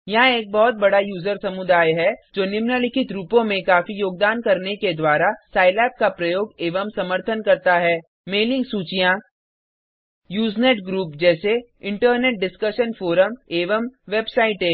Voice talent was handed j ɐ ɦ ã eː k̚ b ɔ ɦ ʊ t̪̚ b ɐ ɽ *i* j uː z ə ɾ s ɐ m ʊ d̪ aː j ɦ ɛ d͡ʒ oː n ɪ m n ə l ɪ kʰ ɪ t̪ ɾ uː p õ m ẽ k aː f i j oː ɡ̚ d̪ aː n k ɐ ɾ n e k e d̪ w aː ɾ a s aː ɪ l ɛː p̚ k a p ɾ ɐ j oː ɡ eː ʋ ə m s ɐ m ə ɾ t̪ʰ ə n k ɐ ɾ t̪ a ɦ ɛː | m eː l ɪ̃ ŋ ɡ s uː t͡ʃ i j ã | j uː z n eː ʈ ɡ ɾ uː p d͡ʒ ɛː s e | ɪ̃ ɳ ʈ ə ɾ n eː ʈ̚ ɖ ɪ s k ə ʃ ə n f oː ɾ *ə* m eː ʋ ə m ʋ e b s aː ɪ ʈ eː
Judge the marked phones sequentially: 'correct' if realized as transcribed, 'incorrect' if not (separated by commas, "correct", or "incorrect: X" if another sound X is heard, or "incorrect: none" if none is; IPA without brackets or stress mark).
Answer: incorrect: a, correct